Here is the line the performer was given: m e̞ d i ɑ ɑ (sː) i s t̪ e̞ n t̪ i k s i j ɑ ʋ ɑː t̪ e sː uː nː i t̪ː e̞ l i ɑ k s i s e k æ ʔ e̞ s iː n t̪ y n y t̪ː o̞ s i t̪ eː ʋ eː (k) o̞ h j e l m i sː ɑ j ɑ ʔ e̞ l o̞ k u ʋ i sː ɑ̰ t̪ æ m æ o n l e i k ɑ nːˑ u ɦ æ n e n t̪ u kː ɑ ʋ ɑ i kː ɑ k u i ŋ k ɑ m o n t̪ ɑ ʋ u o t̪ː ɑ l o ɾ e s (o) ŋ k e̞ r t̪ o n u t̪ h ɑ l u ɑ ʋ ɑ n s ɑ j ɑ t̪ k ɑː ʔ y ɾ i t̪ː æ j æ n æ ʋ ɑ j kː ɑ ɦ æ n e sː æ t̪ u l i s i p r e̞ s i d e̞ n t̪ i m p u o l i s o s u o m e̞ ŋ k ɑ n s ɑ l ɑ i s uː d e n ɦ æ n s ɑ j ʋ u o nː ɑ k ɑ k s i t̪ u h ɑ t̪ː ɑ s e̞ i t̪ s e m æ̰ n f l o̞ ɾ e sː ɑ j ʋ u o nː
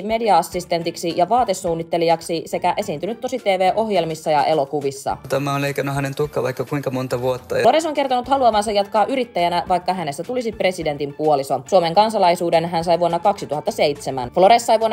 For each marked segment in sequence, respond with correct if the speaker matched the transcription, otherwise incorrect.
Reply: correct, incorrect: ʔ, correct

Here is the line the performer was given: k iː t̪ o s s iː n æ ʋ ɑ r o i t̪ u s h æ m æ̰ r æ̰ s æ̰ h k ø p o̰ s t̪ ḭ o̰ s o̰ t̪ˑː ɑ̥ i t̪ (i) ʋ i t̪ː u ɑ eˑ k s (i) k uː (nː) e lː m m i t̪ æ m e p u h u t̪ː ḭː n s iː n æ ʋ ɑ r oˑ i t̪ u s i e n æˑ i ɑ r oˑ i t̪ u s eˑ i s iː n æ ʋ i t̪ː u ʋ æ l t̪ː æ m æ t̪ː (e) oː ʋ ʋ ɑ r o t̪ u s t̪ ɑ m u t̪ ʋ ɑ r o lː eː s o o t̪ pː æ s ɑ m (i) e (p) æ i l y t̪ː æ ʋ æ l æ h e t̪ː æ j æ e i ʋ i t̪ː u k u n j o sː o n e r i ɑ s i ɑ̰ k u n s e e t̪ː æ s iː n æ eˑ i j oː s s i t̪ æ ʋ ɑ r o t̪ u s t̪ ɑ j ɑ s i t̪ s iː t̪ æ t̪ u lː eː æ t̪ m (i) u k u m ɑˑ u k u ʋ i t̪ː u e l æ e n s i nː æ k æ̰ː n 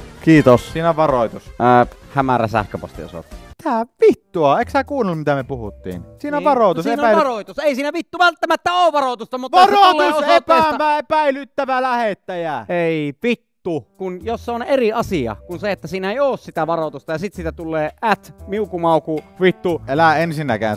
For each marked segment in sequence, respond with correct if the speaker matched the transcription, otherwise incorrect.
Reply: incorrect: æ, incorrect: æ, incorrect: n, incorrect: æ, incorrect: æ, correct, correct

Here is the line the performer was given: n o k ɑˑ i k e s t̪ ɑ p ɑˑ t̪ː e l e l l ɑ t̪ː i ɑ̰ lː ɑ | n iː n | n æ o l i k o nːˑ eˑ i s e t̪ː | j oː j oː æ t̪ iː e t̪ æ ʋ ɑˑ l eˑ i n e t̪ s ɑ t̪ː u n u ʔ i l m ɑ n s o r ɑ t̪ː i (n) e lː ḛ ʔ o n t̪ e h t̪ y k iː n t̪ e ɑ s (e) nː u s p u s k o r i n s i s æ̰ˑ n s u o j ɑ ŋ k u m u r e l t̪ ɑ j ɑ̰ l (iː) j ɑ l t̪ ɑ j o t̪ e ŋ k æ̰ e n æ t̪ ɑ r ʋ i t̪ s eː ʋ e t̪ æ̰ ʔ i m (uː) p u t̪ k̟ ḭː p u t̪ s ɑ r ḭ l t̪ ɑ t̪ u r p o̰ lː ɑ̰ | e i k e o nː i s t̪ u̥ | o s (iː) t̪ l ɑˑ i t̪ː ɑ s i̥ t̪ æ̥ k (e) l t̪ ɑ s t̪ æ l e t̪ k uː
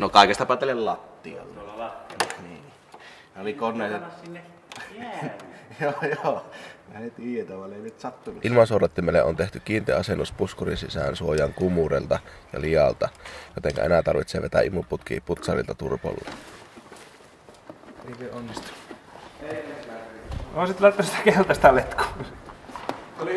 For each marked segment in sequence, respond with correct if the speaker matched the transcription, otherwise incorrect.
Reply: incorrect: m, correct, incorrect: i, incorrect: u, incorrect: i, correct

